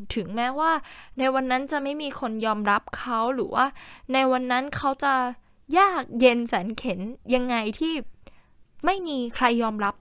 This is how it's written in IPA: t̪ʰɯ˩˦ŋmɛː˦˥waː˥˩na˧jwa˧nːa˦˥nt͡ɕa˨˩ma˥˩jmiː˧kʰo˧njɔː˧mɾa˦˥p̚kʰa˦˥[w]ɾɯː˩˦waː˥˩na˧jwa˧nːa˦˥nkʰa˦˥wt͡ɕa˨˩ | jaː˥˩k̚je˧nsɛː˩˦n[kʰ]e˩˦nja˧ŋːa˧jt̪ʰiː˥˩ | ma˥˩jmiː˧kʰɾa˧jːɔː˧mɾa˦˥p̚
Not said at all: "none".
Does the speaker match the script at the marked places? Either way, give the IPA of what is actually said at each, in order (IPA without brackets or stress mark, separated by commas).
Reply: w, kʰ